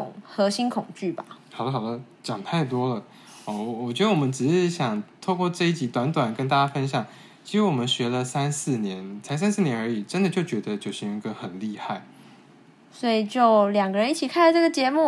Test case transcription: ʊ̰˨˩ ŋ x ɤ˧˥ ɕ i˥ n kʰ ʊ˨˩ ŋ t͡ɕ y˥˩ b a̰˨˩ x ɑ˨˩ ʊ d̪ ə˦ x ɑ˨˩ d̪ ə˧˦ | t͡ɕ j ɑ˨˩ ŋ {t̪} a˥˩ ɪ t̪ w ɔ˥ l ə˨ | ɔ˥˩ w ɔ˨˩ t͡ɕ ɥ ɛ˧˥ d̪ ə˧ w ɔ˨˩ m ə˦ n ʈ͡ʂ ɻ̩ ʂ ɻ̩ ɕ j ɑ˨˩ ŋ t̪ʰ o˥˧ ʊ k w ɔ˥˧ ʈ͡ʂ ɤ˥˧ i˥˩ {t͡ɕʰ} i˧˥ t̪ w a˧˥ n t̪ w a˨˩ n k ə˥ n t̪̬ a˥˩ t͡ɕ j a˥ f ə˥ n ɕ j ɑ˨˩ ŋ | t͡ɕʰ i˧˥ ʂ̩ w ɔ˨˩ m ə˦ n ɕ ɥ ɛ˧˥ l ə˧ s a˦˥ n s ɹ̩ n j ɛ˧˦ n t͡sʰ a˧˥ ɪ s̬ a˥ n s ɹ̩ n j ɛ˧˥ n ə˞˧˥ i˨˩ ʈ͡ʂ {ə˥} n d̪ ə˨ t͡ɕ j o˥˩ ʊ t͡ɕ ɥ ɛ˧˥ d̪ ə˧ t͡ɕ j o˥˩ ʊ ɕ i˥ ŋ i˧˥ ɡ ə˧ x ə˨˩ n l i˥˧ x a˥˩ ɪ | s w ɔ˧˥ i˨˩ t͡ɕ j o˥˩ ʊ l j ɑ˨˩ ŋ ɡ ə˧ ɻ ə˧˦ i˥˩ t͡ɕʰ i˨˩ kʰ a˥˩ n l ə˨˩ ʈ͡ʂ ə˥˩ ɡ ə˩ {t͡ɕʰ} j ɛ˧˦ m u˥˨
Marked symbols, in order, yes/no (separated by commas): no, no, yes, no